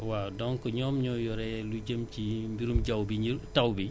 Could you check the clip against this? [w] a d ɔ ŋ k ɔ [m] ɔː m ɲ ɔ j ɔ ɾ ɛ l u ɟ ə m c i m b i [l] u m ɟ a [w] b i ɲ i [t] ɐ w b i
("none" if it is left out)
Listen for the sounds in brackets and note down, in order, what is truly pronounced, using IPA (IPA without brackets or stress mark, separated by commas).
w, ɲ, ɾ, w, t